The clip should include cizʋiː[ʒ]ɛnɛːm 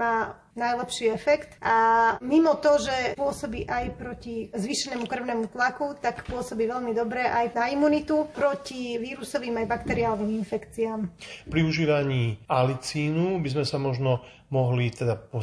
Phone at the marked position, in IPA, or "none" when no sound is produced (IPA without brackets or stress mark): ʃ